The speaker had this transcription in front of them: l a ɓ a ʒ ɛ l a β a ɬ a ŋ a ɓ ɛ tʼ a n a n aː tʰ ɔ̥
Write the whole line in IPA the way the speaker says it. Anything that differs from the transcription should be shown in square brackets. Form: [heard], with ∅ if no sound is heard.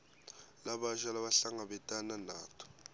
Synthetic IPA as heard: l a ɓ a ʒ [a] l a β a ɬ a ŋ a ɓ ɛ tʼ a n a n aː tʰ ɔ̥